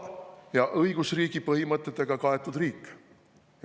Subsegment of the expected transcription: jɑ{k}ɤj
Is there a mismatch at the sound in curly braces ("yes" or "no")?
yes